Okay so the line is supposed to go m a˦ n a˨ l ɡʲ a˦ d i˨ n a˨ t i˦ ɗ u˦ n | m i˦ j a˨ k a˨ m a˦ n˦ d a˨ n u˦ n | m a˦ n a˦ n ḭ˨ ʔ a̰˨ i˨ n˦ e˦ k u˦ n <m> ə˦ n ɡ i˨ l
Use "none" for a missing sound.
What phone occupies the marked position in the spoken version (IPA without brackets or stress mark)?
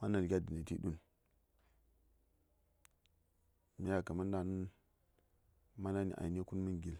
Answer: m